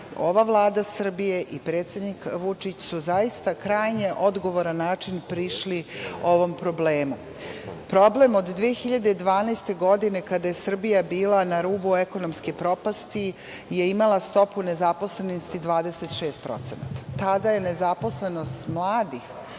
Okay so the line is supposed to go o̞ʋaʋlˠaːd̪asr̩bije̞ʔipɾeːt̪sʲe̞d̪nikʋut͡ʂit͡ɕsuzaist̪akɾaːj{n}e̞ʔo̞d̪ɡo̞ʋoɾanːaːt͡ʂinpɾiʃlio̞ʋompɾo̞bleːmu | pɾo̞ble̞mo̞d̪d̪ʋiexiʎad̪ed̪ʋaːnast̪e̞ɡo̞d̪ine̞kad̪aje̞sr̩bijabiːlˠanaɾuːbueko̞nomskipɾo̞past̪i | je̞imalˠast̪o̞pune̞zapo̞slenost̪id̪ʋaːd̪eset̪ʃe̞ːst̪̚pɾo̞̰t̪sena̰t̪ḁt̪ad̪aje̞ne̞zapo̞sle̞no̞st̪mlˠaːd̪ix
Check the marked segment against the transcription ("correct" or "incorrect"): incorrect